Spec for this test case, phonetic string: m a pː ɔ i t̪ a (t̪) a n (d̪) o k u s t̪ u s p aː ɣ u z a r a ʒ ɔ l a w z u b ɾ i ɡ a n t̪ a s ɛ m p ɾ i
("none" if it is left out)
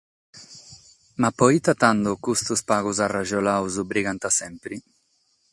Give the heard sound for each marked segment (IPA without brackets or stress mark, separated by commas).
t̪, d̪